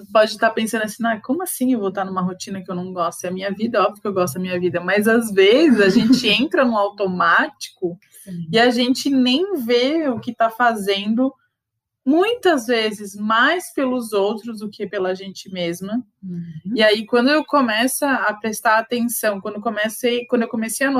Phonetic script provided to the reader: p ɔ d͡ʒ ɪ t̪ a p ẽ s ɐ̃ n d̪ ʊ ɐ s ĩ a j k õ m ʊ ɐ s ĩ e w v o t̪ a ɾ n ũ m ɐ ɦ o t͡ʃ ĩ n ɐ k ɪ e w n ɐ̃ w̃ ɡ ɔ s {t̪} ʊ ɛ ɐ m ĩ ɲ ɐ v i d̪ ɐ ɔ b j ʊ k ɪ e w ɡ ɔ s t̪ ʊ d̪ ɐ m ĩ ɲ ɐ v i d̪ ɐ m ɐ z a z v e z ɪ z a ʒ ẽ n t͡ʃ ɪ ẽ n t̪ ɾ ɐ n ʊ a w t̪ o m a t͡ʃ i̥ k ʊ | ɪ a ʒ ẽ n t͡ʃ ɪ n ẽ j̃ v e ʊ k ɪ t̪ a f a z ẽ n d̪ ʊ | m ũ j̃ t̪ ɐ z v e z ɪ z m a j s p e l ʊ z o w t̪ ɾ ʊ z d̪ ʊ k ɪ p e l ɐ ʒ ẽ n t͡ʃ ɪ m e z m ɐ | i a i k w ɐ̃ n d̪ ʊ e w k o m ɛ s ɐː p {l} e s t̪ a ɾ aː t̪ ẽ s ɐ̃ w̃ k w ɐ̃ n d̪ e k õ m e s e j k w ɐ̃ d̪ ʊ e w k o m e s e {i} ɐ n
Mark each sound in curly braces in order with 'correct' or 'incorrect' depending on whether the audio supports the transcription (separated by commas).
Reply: correct, incorrect, incorrect